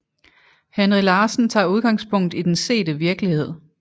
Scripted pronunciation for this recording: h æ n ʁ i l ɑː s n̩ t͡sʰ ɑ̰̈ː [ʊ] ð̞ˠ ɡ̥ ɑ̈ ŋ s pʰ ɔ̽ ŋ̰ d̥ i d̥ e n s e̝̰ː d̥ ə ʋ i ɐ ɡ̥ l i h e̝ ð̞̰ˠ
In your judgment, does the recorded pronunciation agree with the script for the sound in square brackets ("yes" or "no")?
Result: no